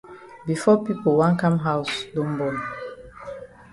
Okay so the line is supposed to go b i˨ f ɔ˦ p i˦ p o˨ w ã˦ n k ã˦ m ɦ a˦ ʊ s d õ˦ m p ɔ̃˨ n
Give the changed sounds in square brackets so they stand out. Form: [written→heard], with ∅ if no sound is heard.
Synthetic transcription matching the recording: b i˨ f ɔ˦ p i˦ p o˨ w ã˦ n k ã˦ m ɦ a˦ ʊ s d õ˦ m [p→b] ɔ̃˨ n